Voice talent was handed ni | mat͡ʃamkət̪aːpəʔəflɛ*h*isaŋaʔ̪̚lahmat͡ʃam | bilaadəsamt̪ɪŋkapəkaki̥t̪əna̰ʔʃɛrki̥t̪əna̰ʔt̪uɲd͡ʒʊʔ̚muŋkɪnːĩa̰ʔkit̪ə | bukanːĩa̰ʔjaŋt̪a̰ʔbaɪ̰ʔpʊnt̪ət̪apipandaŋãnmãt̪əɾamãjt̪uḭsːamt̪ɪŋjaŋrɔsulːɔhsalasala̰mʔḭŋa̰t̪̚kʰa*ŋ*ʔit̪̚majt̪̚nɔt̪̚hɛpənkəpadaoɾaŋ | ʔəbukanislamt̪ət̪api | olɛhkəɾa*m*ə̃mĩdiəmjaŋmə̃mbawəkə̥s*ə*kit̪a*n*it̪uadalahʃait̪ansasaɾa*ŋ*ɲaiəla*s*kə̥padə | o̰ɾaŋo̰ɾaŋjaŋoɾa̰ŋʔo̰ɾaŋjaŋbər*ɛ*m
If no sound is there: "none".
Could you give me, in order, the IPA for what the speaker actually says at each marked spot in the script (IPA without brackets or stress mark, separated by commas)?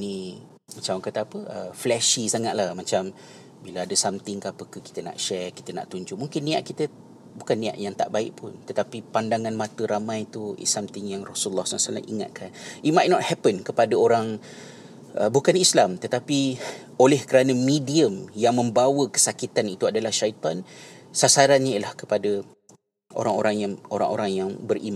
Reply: ʃ, n, n, a, n, n, h, i